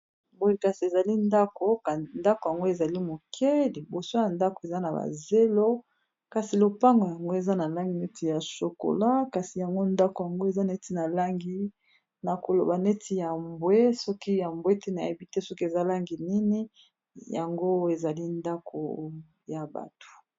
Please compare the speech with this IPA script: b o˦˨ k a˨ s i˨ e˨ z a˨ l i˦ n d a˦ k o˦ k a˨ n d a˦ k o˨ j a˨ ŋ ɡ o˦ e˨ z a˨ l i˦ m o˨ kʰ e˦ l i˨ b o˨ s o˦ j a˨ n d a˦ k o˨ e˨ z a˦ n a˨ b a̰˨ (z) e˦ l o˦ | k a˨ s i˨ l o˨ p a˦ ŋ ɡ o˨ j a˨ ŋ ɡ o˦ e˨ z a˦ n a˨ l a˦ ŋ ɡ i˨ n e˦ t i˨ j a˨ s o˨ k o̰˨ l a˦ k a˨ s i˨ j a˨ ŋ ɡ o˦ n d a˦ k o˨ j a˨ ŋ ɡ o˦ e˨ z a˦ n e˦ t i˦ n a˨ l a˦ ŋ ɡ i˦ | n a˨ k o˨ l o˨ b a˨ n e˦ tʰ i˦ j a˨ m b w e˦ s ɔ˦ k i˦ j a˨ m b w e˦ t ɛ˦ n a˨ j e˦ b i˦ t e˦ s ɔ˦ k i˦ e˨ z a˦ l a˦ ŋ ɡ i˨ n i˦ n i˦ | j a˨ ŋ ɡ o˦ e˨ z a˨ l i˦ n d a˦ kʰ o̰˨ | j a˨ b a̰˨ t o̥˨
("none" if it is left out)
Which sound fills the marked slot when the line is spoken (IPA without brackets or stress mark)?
z